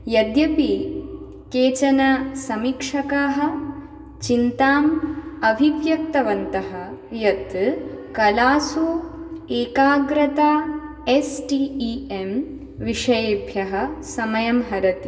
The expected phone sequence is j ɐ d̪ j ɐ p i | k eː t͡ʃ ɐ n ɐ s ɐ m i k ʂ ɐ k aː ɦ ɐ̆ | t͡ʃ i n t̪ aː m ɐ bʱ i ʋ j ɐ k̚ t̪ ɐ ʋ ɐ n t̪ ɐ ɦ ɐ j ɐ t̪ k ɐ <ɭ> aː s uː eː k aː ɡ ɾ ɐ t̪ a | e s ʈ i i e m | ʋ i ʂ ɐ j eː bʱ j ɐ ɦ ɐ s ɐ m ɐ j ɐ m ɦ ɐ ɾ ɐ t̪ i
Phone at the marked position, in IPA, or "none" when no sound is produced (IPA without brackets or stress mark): l